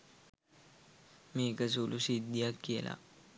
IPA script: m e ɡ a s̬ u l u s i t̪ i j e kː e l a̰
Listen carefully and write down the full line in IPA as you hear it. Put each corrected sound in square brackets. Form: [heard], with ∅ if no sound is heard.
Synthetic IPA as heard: m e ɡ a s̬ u l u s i [d̪] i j [a] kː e l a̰